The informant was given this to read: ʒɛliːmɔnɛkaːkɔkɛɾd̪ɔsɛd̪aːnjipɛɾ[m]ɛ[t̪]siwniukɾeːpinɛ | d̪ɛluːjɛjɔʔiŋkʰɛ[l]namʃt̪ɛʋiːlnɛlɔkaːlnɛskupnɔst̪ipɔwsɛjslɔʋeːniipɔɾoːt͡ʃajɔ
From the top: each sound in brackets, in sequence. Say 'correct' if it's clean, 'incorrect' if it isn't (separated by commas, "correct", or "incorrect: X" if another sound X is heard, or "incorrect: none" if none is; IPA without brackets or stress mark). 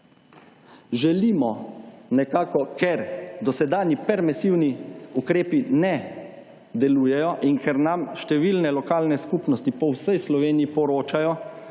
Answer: correct, incorrect: none, incorrect: ɾ